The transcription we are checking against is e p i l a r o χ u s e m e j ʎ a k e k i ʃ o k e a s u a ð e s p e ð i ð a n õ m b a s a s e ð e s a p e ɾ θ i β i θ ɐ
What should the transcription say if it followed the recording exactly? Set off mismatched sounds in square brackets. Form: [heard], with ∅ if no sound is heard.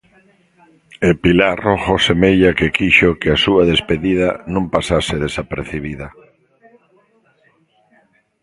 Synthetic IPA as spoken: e p i l a r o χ [o] s e m e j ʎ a k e k i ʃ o k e a s u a ð e s p e ð i ð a n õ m [p] a s a s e ð e s a p e ɾ θ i β i [ð] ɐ